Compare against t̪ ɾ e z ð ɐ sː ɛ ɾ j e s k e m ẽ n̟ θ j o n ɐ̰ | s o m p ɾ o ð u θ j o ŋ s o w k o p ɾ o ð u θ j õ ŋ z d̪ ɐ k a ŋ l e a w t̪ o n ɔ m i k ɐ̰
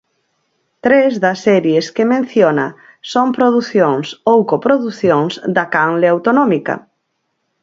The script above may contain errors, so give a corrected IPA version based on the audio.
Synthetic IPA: t̪ ɾ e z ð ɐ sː ɛ ɾ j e s k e m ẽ n̟ θ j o n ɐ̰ | s o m p ɾ o ð u θ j o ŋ s o w k o p ɾ o ð u θ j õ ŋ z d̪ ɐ k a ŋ l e a w t̪ o n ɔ m i k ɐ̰